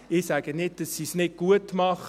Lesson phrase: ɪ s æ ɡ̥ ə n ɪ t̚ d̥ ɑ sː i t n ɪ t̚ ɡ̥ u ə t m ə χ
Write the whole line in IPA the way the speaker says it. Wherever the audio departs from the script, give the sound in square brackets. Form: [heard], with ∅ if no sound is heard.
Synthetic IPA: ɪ s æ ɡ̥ ə n ɪ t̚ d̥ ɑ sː i [s] n ɪ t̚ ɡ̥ u ə t m [ɑ] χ